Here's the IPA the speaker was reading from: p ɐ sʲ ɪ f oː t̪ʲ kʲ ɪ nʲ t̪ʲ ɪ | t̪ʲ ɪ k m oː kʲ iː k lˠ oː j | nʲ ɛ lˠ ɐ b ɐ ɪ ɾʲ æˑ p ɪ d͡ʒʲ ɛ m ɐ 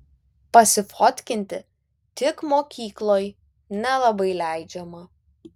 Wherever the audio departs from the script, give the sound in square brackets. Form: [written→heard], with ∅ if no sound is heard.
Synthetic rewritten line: p ɐ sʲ ɪ f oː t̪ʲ kʲ ɪ nʲ t̪ʲ ɪ | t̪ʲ ɪ k m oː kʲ iː k lˠ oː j | nʲ ɛ lˠ ɐ b ɐ ɪ [ɾʲ→lʲ] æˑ [p→∅] ɪ d͡ʒʲ ɛ m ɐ